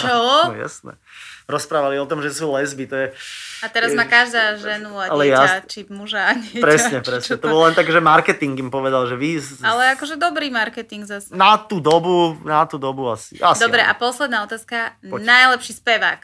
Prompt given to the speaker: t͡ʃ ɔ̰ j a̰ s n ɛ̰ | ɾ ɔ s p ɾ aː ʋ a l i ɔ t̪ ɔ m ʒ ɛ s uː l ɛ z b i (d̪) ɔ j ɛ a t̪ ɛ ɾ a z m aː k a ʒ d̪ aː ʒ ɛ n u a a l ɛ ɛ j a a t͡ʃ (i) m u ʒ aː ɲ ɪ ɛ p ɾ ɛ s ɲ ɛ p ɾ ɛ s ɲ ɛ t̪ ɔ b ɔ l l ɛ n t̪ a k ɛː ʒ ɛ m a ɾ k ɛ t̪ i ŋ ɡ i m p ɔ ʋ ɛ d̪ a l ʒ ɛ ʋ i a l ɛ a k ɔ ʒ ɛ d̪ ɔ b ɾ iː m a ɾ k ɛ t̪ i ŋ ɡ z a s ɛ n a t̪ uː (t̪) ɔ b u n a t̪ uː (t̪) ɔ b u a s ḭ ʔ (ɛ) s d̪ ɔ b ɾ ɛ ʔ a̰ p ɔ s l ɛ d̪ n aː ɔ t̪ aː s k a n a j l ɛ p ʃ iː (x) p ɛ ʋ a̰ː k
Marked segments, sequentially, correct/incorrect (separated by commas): incorrect, correct, incorrect, incorrect, incorrect, incorrect